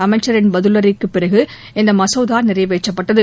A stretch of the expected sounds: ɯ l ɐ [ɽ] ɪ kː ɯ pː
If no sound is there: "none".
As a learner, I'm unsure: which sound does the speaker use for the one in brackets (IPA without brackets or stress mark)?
ɾ